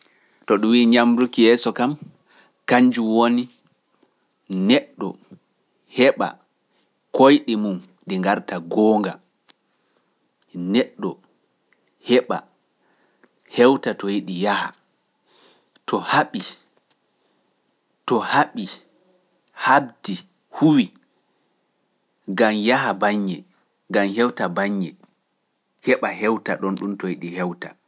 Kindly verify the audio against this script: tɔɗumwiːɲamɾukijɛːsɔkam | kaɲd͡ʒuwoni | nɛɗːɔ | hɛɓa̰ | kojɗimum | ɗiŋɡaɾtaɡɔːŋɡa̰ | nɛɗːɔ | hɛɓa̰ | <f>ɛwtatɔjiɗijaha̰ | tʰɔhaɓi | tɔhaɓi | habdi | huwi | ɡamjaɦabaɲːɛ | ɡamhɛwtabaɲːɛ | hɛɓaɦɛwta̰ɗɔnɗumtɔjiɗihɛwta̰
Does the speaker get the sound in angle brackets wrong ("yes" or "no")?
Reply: yes